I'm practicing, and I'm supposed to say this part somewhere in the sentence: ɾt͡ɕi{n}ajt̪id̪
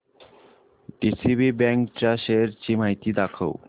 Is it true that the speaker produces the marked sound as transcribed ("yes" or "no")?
no